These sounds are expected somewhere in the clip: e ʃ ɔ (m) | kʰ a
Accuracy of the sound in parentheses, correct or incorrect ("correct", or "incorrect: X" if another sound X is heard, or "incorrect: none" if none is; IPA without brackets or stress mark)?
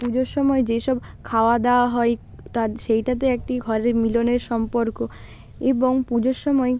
incorrect: b